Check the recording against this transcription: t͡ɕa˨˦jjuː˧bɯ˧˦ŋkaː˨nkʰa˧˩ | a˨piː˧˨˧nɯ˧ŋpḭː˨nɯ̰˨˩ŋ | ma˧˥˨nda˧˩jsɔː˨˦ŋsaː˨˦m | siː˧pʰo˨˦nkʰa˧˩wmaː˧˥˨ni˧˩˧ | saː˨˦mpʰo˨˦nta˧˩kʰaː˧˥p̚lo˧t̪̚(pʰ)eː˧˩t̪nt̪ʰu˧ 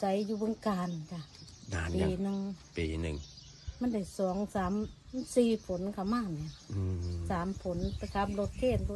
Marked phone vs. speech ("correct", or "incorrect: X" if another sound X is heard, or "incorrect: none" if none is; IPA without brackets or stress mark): incorrect: kʰ